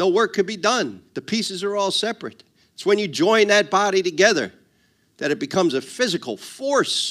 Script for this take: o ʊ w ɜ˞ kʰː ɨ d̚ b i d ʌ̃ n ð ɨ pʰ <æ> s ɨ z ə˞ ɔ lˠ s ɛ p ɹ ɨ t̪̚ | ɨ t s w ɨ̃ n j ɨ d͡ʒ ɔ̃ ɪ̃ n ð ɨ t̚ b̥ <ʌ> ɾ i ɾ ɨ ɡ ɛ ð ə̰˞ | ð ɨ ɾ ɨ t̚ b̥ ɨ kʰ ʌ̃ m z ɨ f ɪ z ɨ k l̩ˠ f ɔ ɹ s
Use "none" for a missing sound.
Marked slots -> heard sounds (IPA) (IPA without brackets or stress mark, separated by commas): i, ɑ